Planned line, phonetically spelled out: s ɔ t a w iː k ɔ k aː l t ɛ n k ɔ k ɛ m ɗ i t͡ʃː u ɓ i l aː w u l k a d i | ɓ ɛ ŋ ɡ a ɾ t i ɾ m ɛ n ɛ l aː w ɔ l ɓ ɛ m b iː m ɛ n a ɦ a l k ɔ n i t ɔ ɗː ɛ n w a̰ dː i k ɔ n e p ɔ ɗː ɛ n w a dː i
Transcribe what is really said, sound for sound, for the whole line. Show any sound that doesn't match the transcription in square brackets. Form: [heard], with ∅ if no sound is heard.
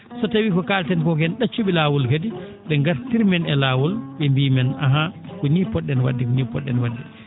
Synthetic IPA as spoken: s ɔ t a w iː k ɔ k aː l t ɛ n k ɔ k ɛ [n] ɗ [a] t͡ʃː u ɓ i l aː w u l k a d i | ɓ ɛ ŋ ɡ a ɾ t i ɾ m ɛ n ɛ l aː w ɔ l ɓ ɛ m b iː m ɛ n a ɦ a [∅] k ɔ n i [p] ɔ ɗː ɛ n w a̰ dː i k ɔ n [i] p ɔ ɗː ɛ n w a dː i